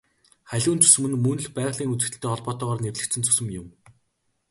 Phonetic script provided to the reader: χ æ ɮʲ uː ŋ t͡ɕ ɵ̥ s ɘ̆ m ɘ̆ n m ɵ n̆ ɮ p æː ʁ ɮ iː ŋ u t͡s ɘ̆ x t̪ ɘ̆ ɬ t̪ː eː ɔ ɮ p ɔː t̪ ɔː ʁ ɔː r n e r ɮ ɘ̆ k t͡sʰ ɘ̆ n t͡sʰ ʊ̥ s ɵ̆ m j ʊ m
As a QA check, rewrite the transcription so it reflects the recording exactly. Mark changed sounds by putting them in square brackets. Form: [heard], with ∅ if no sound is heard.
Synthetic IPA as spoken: χ æ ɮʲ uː [n] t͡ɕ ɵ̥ s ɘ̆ m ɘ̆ n m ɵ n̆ ɮ p æː ʁ ɮ iː ŋ u t͡s ɘ̆ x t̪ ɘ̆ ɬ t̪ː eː ɔ ɮ p ɔː t̪ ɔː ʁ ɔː r n e r ɮ ɘ̆ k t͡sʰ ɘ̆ n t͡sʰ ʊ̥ s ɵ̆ m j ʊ m